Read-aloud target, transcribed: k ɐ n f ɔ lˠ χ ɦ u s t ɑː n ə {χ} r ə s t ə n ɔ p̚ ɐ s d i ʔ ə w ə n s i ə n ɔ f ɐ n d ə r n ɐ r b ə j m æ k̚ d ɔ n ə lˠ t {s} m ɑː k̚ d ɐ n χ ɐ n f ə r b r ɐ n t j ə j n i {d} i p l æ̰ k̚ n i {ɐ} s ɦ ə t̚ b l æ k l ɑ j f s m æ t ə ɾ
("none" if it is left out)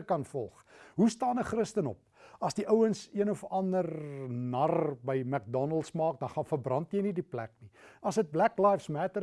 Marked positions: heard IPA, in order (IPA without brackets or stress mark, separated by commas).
χ, s, d, ɐ